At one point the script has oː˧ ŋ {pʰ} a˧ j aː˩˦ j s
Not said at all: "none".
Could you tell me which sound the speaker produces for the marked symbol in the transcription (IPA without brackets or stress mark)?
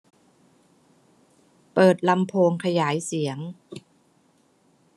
kʰ